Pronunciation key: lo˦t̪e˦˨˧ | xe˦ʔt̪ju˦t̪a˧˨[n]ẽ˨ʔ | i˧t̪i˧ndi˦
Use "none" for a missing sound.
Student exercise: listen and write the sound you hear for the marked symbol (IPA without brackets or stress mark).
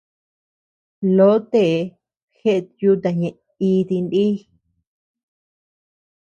ɲ